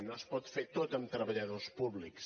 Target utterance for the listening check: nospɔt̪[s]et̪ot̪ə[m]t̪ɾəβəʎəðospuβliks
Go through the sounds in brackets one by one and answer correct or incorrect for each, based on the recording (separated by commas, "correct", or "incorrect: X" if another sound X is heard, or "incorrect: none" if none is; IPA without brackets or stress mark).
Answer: incorrect: f, correct